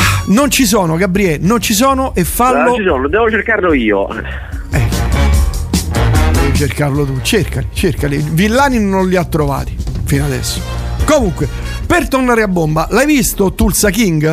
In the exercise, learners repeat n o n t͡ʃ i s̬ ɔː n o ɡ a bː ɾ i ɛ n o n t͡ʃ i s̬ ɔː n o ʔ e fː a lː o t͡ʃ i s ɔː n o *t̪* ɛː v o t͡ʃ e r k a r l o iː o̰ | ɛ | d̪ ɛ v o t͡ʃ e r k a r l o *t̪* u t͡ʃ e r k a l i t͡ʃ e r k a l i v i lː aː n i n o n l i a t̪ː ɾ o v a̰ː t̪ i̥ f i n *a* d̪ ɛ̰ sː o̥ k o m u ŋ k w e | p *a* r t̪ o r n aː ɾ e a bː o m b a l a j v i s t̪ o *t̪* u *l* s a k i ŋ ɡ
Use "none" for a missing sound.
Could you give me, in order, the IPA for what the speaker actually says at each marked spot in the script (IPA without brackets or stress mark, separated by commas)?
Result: d̪, t̪, a, e, t̪, l